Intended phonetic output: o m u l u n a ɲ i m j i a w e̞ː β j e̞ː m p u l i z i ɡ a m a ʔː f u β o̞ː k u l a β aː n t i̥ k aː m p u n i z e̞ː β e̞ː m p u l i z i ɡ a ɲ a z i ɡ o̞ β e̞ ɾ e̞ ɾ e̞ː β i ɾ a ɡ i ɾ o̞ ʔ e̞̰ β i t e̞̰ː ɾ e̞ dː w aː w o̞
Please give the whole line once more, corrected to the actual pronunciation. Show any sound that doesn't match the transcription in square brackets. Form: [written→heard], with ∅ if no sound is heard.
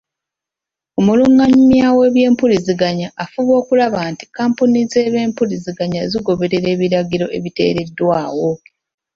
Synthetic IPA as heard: o m u l u [n→ŋ] a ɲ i m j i a w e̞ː β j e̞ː m p u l i z i ɡ a [m→ɲ] a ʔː f u β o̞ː k u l a β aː n t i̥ k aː m p u n i z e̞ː β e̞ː m p u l i z i ɡ a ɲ a z i ɡ o̞ β e̞ ɾ e̞ ɾ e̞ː β i ɾ a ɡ i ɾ o̞ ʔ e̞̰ β i t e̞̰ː ɾ e̞ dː w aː w o̞